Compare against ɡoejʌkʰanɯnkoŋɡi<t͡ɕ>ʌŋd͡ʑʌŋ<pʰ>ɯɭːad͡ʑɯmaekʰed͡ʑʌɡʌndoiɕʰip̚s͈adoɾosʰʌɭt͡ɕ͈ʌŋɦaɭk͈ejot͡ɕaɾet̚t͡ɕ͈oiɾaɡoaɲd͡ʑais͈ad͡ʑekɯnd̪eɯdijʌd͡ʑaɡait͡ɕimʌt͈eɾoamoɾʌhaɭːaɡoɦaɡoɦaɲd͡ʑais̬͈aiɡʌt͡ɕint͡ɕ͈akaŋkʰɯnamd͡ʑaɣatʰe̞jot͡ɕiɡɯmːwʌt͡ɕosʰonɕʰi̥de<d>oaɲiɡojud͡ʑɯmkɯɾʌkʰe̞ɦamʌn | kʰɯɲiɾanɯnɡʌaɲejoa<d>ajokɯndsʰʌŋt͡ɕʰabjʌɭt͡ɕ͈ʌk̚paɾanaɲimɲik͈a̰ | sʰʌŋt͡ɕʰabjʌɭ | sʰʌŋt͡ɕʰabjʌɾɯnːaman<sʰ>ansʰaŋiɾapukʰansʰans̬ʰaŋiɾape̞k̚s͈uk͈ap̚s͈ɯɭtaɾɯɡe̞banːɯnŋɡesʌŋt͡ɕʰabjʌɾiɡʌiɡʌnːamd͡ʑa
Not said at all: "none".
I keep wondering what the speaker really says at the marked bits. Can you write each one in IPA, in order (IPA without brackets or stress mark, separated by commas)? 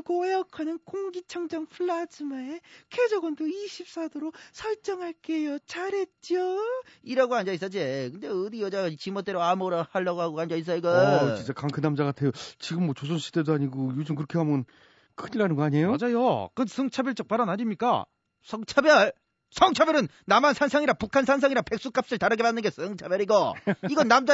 t͡ɕʰ, pʰ, d, d͡ʑ, sʰ